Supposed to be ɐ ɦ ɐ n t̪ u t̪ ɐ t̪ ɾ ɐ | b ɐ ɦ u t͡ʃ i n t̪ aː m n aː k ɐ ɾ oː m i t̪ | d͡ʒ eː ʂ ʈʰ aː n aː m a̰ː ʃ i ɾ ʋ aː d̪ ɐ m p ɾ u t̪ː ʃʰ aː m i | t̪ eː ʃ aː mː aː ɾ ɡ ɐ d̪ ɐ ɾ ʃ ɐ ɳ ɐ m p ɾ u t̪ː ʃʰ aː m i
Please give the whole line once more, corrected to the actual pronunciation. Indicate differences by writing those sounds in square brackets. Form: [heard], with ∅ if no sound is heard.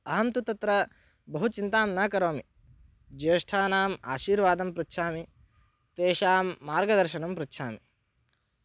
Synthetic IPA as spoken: ɐ ɦ ɐ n t̪ u t̪ ɐ t̪ ɾ ɐ | b ɐ ɦ u t͡ʃ i n t̪ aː m n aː k ɐ ɾ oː m i [∅] | d͡ʒ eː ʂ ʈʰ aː n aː m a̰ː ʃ [iː] ɾ ʋ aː d̪ ɐ m p ɾ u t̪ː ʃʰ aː m i | t̪ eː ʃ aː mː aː ɾ ɡ ɐ d̪ ɐ ɾ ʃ ɐ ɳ ɐ m p ɾ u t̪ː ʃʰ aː m i